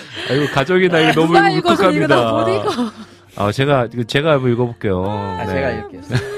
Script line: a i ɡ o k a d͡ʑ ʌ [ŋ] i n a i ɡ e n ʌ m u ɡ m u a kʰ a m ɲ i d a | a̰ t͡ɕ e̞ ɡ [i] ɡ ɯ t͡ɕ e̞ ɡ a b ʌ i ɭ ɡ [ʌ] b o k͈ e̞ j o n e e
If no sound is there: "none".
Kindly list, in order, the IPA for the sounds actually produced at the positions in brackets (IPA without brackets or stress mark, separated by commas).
ɡ, a, ʌ